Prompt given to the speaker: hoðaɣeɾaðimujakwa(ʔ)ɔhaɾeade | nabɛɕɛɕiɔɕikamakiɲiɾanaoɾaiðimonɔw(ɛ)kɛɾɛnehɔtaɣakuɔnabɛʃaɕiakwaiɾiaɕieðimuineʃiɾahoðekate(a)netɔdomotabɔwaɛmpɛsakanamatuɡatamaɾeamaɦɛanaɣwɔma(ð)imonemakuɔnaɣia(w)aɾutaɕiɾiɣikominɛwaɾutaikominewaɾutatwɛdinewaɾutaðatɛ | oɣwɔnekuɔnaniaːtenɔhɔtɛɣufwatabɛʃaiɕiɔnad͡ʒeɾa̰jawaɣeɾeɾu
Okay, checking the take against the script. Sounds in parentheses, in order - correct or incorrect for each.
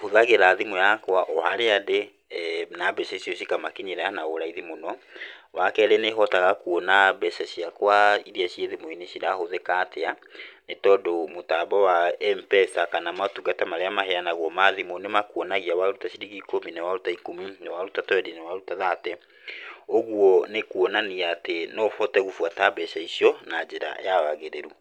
correct, incorrect, correct, correct, correct

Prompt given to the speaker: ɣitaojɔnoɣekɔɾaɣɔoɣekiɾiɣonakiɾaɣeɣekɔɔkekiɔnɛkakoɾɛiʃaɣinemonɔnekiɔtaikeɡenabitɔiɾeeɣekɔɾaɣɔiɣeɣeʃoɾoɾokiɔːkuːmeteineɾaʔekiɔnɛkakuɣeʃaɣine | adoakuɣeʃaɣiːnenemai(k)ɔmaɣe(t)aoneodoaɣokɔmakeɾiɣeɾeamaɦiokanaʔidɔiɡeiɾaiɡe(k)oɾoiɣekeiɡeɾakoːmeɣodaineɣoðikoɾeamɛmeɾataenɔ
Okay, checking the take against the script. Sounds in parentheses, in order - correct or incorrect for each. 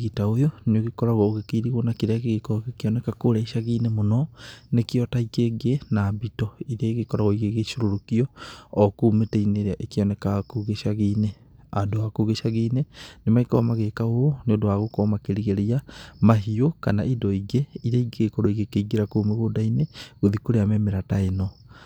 correct, incorrect, correct

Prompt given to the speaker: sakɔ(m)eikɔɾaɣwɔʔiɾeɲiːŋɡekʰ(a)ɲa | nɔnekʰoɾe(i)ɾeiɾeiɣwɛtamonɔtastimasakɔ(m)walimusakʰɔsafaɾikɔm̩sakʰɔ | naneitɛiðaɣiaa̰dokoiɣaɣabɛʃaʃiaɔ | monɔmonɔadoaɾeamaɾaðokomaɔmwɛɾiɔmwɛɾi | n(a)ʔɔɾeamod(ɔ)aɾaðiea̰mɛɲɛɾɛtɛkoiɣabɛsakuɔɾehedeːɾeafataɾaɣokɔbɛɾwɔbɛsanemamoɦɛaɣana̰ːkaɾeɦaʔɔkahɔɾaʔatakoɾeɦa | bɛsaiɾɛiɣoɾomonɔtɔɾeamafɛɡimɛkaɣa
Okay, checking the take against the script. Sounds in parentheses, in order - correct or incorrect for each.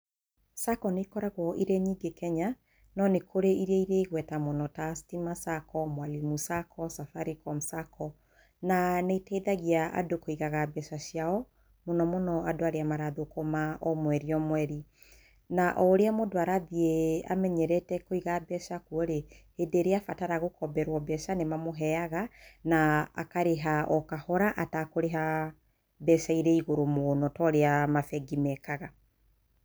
incorrect, incorrect, correct, correct, correct, incorrect

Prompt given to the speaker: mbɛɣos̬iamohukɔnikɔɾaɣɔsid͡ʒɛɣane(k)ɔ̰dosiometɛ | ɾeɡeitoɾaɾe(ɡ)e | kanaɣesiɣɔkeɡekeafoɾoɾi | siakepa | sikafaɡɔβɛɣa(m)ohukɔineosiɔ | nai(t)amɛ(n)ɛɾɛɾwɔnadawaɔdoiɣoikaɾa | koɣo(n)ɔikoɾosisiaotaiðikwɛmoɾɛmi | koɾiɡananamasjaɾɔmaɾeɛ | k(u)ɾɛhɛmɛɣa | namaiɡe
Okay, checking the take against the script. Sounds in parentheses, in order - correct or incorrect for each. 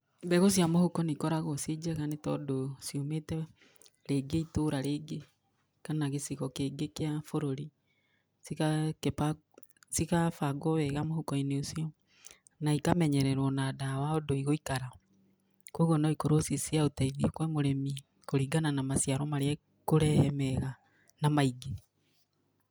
incorrect, correct, correct, incorrect, incorrect, correct, incorrect

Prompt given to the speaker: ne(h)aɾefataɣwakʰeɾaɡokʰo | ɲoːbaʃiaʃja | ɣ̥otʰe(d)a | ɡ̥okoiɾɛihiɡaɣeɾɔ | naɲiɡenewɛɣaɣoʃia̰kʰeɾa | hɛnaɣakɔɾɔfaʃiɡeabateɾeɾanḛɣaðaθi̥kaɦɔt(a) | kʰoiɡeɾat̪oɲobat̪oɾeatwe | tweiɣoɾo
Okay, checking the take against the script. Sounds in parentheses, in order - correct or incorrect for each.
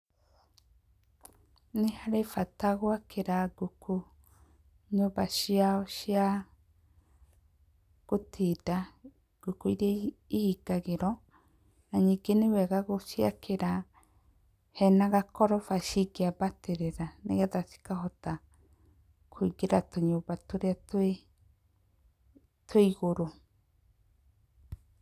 correct, correct, correct

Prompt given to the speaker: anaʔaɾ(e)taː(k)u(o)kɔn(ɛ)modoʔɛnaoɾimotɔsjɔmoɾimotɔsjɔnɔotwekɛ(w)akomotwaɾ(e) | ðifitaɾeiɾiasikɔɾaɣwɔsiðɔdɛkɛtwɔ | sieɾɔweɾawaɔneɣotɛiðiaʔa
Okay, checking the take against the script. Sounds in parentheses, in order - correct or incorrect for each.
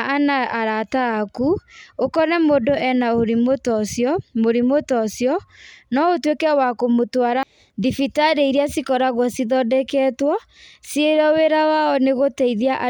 incorrect, correct, correct, correct, correct, incorrect

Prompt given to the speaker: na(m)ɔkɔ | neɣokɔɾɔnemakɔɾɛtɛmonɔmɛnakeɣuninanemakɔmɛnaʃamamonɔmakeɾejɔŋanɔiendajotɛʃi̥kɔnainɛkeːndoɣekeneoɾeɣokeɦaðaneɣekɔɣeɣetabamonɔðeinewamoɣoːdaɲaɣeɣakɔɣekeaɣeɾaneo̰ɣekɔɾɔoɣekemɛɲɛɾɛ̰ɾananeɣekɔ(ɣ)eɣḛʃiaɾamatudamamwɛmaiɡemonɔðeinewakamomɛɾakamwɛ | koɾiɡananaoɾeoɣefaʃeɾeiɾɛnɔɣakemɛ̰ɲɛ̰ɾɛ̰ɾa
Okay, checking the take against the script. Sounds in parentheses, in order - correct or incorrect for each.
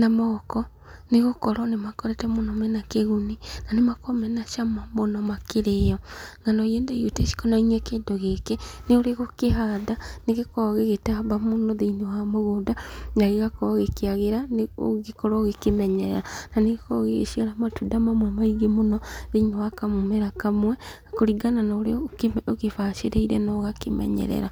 correct, correct

